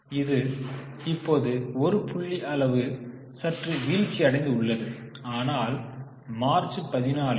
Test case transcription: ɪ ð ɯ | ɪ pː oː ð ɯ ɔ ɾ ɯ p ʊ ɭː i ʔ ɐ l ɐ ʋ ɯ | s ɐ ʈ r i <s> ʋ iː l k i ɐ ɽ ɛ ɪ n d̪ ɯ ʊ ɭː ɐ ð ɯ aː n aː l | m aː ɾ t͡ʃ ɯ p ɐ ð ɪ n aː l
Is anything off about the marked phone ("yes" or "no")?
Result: yes